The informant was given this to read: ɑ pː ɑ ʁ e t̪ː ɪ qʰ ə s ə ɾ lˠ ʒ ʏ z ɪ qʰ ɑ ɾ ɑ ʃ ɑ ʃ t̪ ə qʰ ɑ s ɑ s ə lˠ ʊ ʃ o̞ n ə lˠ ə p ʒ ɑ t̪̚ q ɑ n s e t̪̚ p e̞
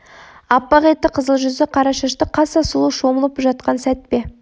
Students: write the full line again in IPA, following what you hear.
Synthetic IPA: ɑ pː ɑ ʁ e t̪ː ɪ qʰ ə z ə lˠ ʒ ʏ z ɪ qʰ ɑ ɾ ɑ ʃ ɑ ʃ t̪ ə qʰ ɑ s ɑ s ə lˠ u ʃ o̞ m ə lˠ ə p ʒ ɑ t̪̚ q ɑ n s æ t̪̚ p e̞